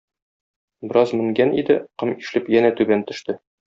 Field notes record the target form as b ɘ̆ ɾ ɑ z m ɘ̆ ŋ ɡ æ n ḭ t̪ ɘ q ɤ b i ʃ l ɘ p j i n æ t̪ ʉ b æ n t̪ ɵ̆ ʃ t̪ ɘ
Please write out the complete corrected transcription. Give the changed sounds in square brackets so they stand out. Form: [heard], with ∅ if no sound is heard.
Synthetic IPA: b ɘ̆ ɾ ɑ z m ɘ̆ ŋ ɡ æ n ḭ [d̪] ɘ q ɤ [m] i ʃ l ɘ p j [æ] n æ t̪ ʉ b æ n t̪ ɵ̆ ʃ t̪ ɘ